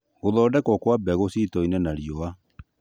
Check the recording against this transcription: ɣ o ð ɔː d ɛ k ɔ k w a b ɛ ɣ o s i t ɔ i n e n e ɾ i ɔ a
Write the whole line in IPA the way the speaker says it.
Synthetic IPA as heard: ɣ o ð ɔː d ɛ k ɔ k w a b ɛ ɣ o s i t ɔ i n ɛ n a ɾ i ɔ a